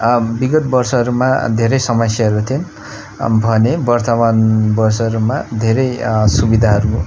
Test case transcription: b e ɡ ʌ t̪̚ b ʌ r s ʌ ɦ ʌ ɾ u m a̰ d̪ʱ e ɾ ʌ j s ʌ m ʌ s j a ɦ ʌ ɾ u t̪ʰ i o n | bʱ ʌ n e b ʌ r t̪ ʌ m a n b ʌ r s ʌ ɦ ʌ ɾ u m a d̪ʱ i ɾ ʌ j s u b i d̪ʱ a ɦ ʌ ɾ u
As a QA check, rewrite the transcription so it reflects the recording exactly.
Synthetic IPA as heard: b i ɡ ʌ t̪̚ b ʌ r s ʌ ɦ ʌ ɾ u m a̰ d̪ʱ e ɾ ʌ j s ʌ m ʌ s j a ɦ ʌ ɾ u t̪ʰ i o n | bʱ ʌ n e b ʌ r t̪ ʌ m a n b ʌ r s ʌ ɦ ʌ ɾ u m a d̪ʱ e ɾ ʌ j s u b i d̪ʱ a ɦ ʌ ɾ u